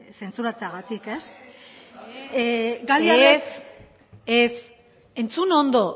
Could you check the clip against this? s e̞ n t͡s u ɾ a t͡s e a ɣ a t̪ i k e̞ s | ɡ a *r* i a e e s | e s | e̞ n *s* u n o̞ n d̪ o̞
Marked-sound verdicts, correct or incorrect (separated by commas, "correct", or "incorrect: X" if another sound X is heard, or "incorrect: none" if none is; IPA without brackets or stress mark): incorrect: l, incorrect: t͡s